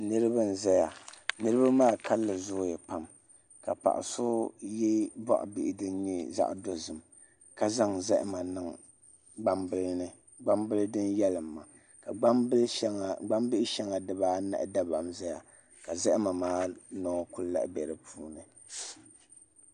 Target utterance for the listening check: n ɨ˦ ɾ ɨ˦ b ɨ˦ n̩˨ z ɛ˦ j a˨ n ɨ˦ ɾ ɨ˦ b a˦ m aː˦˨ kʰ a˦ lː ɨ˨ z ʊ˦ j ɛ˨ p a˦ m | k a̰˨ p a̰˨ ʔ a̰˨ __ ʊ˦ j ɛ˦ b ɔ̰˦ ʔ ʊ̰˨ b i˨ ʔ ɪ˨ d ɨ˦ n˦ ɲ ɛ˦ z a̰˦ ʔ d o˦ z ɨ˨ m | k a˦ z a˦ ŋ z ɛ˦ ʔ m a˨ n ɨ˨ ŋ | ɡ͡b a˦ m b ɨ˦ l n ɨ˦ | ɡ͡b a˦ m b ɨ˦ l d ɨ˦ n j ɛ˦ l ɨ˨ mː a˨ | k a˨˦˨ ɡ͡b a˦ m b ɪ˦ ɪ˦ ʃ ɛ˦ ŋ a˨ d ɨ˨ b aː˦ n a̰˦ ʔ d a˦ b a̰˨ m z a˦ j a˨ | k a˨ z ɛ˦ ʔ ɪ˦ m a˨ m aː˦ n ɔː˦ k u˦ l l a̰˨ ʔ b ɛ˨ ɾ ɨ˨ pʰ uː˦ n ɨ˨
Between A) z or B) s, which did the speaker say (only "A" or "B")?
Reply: B